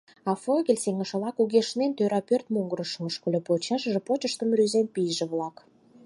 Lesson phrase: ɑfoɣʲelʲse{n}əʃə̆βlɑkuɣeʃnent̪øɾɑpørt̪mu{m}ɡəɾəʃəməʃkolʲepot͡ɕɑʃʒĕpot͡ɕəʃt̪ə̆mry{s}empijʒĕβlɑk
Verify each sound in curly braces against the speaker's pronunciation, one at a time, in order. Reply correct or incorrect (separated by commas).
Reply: incorrect, incorrect, incorrect